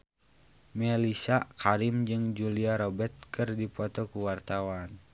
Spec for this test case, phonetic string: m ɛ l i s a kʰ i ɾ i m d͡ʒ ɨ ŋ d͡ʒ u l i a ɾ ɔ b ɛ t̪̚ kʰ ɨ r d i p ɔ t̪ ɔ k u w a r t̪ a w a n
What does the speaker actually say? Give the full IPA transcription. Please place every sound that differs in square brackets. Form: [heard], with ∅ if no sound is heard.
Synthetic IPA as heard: m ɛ l i s a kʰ [a] ɾ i m d͡ʒ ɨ ŋ d͡ʒ u l i a ɾ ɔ b ɛ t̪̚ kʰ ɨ r d i p ɔ t̪ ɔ k u w a r t̪ a w a n